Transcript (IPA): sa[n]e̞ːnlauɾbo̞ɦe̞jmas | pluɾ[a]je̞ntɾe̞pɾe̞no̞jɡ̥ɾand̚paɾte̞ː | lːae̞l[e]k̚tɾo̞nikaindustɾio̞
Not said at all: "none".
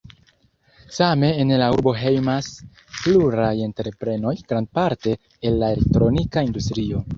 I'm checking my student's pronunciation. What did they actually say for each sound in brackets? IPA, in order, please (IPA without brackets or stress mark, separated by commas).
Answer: m, a, e